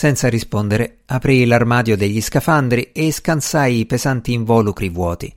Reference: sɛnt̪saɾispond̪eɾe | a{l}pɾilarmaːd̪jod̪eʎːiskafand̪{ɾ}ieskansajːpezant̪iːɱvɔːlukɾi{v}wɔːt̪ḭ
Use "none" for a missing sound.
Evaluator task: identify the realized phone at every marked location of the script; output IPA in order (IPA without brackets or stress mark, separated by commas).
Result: none, ɾ, v